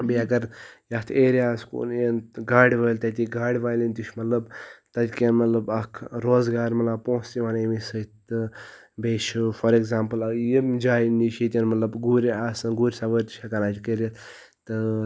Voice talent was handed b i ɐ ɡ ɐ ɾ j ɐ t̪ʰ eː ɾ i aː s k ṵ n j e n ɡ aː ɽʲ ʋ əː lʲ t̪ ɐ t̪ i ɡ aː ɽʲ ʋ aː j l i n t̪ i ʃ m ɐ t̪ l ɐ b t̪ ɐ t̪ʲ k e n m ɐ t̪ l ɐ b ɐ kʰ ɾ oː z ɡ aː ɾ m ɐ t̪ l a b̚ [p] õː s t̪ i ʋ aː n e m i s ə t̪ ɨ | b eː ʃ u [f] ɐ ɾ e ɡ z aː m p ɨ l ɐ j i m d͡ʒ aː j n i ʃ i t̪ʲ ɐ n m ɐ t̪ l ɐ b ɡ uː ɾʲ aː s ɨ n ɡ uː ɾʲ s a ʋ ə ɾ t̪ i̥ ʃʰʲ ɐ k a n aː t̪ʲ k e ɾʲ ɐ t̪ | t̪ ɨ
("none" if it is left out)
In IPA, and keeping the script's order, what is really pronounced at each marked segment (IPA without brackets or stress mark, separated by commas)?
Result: p, f